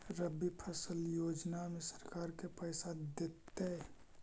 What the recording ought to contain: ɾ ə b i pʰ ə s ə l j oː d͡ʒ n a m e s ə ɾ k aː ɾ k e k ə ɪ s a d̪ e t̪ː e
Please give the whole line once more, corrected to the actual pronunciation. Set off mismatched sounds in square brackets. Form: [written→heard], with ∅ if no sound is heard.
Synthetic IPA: ɾ ə b i pʰ ə s ə l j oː d͡ʒ n a m e s ə ɾ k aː ɾ k e [k→p] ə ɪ s a d̪ e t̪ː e